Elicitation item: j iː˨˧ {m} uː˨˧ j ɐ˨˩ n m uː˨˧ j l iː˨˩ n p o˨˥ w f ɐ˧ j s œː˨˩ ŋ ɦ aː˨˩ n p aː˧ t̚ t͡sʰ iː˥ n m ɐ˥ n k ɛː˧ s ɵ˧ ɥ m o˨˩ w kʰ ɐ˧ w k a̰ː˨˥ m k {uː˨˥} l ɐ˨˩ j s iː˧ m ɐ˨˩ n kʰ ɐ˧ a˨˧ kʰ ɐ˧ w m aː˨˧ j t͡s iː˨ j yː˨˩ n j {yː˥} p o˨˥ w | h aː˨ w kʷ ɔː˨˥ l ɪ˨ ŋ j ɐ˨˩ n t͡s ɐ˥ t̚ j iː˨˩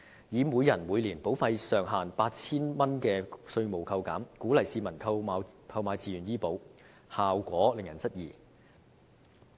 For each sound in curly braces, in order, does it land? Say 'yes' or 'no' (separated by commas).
yes, yes, no